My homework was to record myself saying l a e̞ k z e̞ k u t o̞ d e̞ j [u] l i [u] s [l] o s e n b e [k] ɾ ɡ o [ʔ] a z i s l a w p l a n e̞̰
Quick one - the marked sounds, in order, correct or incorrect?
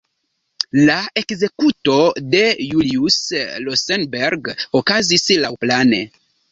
correct, correct, correct, incorrect, incorrect

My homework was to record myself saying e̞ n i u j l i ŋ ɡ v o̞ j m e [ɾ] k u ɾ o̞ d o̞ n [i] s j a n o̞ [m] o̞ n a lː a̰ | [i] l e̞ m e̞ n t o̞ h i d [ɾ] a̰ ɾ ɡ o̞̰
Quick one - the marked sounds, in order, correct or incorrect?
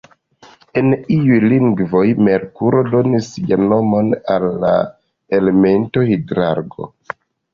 correct, correct, correct, incorrect, correct

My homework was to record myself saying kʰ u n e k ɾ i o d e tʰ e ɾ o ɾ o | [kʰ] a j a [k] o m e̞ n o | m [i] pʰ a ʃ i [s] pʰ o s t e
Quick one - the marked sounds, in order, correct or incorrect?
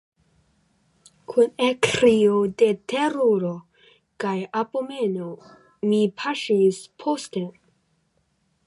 incorrect, incorrect, correct, correct

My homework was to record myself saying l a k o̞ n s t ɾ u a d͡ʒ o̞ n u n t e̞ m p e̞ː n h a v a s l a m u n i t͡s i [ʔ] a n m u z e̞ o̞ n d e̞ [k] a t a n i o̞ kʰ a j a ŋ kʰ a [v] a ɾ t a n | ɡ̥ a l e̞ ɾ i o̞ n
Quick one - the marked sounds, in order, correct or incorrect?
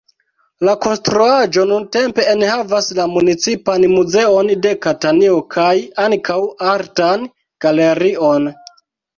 incorrect, correct, incorrect

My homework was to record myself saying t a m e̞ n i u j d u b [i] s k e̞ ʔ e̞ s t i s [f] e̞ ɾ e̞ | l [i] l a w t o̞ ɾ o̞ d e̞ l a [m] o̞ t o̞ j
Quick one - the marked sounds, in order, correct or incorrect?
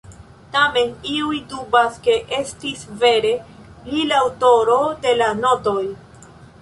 incorrect, incorrect, correct, incorrect

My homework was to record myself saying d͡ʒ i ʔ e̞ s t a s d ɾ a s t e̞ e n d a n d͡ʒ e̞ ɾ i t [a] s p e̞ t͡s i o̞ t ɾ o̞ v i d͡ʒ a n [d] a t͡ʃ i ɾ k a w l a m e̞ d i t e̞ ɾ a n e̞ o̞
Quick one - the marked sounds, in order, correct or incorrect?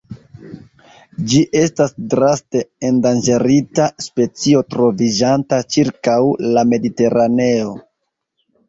correct, incorrect

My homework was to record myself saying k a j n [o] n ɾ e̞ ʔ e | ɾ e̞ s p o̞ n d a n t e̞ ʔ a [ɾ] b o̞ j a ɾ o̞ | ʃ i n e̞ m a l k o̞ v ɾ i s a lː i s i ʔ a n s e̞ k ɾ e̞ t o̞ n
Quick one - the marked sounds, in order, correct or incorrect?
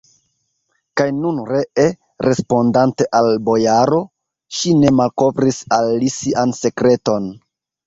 incorrect, incorrect

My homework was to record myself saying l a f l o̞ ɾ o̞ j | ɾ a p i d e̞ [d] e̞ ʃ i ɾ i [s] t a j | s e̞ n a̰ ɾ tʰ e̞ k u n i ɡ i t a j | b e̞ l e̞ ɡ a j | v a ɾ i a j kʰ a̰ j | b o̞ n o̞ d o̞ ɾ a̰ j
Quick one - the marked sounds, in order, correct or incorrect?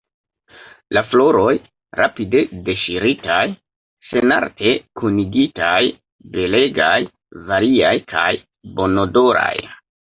correct, incorrect

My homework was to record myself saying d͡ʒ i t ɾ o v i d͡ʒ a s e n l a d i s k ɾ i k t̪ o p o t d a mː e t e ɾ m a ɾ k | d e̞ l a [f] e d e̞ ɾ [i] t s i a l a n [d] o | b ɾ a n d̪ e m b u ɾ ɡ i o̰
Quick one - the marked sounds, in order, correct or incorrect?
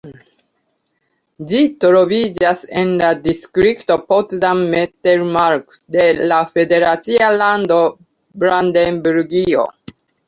correct, incorrect, correct

